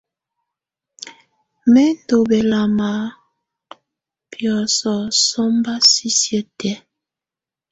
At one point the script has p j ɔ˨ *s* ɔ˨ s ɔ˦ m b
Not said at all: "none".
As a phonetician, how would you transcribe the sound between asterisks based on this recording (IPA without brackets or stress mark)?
s